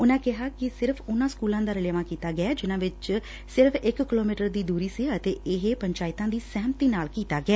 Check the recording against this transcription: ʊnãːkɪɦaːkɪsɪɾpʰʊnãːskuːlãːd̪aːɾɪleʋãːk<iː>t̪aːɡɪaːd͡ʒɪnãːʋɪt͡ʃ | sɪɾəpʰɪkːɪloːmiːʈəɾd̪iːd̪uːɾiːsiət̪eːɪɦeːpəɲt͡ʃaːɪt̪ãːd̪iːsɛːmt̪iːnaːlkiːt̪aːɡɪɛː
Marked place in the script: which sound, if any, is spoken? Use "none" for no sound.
iː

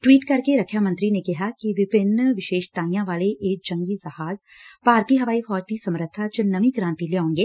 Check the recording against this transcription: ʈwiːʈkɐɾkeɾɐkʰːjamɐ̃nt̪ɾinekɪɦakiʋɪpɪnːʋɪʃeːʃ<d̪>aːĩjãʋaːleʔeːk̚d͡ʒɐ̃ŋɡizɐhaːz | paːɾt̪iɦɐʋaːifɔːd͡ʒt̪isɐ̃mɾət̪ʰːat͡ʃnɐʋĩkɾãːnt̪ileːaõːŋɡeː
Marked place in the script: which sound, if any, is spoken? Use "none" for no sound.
t̪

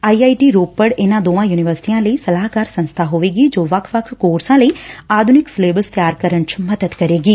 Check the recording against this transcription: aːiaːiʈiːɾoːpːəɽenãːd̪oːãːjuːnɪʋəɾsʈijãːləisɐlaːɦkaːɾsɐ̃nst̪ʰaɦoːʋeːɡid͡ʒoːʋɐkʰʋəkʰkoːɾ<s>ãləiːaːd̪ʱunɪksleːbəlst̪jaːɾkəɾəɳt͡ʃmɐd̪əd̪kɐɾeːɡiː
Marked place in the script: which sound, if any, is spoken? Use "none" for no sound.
s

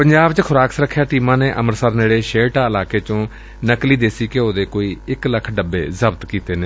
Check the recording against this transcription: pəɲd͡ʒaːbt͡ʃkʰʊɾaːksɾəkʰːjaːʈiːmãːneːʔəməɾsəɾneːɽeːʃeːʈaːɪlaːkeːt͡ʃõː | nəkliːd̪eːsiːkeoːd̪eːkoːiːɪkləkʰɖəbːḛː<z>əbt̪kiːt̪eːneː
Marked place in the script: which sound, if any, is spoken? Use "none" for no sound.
z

